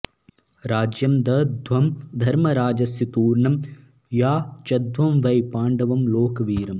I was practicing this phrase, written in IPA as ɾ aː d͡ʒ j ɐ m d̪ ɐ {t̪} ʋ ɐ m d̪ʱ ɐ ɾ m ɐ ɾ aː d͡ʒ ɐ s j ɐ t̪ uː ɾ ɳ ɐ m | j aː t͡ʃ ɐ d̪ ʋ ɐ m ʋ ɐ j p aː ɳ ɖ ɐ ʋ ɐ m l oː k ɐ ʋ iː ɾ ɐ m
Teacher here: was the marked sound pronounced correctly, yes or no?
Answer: no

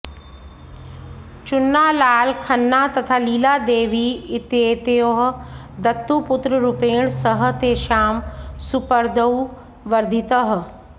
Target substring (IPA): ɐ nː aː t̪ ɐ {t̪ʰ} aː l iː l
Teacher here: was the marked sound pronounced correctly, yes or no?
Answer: yes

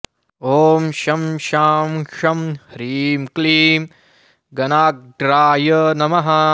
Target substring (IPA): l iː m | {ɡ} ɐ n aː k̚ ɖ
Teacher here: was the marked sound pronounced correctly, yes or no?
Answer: yes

